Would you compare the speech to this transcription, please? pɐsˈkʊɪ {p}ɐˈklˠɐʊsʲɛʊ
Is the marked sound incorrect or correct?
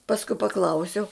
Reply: correct